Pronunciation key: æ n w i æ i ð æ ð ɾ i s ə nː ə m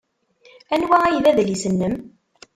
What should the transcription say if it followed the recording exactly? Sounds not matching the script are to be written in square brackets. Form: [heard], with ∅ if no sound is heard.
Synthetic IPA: æ n w [æ] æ [j] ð æ ð [l] i s ə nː ə m